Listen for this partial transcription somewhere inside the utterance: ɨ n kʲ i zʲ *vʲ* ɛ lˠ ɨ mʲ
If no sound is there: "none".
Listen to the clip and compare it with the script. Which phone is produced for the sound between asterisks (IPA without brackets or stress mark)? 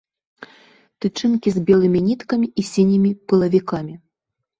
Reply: bʲ